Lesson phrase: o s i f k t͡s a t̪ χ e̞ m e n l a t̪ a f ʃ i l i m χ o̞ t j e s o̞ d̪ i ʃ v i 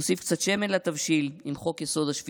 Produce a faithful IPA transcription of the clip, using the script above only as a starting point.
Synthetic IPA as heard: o s i f k t͡s a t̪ ʃ e̞ m e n l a t̪ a v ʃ i l i m χ o̞ k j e s o̞ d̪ a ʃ v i